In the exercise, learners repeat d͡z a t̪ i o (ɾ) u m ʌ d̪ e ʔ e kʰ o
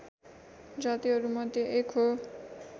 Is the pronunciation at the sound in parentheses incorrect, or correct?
correct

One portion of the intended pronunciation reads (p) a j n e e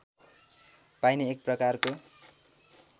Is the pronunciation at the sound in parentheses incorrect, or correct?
correct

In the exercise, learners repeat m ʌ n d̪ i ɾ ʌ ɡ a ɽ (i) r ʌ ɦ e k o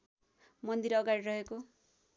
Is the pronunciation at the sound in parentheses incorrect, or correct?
correct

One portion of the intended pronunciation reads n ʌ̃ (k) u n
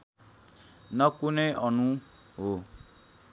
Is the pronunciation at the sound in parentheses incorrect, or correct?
correct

